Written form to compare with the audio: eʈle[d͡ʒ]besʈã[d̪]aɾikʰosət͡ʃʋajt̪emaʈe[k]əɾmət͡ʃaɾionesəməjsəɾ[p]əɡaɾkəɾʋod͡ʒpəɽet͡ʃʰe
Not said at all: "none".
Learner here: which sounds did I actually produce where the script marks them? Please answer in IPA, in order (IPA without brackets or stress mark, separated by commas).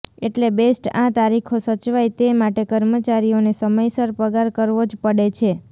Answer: none, t̪, k, p